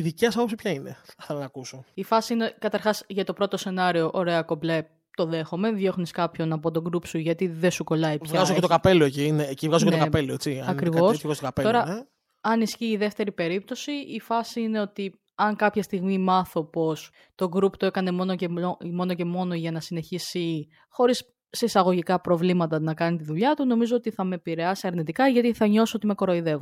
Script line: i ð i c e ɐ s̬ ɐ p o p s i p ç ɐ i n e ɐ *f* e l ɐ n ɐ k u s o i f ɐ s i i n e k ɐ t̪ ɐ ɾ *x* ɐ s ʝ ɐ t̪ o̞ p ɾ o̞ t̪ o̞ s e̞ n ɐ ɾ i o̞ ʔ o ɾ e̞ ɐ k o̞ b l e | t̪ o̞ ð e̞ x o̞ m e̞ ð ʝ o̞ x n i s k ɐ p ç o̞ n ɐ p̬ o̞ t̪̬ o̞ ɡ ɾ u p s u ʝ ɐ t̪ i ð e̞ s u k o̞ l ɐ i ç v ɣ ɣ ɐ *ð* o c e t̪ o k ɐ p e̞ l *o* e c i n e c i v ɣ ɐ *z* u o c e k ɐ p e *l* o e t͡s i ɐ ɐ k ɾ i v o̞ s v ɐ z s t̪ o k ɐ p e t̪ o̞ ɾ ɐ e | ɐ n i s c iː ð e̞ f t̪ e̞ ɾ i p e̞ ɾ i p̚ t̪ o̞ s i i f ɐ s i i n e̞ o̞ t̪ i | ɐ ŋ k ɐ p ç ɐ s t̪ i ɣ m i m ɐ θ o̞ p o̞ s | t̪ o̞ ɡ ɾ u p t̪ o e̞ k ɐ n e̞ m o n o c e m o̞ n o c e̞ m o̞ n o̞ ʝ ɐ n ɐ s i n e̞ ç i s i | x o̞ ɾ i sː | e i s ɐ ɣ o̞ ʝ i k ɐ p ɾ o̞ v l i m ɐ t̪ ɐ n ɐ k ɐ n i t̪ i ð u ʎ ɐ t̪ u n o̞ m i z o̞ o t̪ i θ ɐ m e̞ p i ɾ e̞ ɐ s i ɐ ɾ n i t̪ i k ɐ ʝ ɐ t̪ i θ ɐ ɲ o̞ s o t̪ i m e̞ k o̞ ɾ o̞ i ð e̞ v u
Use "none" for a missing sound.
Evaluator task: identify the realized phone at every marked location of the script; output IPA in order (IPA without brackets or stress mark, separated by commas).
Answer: θ, x, z, o, z, l